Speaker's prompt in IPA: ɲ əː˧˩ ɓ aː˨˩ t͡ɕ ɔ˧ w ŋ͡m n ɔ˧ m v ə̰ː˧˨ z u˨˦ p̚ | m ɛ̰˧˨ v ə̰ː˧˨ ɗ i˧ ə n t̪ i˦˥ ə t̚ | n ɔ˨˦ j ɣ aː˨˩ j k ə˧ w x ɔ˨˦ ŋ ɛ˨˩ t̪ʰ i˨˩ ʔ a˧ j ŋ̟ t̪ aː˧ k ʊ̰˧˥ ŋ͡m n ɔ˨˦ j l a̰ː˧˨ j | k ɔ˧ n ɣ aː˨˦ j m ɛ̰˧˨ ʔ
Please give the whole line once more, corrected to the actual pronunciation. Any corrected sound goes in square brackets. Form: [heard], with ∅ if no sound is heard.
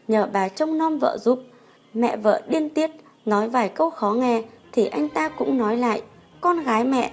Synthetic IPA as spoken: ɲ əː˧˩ ɓ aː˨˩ t͡ɕ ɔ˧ w ŋ͡m n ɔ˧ m v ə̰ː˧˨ z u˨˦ p̚ | m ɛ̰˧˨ v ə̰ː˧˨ ɗ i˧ ə n t̪ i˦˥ ə t̚ | n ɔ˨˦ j [v] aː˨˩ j k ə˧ w x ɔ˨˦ ŋ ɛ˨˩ t̪ʰ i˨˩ ʔ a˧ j ŋ̟ t̪ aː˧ k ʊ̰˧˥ ŋ͡m n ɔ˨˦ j l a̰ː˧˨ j | k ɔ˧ n ɣ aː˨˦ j m ɛ̰˧˨ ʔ